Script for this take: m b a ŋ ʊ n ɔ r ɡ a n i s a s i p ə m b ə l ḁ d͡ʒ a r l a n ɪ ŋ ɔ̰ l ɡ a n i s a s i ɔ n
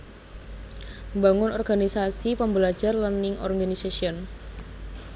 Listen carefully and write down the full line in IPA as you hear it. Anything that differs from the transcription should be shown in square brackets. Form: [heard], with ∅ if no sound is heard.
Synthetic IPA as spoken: m b a ŋ ʊ n ɔ r ɡ a n i s a s i p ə m b ə l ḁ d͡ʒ a r l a n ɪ ŋ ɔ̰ [r] ɡ a n i s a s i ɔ n